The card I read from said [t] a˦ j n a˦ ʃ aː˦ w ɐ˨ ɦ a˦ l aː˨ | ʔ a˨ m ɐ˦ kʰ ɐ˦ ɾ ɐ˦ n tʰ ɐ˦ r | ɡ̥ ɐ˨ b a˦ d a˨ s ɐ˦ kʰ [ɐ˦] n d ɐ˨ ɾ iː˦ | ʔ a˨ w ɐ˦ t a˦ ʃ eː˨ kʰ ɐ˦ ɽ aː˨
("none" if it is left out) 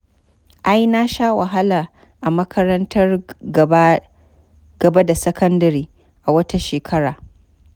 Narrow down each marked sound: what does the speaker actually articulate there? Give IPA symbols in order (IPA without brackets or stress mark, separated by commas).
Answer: ʔ, ɐ˦